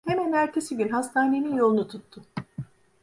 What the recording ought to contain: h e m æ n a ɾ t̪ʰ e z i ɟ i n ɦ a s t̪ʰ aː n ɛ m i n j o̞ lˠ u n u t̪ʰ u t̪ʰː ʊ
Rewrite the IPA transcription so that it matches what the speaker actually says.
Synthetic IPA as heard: h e m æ n æ ɾ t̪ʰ e s i ɟ y n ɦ a s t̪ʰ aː n e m i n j o̞ lˠ u n u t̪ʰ u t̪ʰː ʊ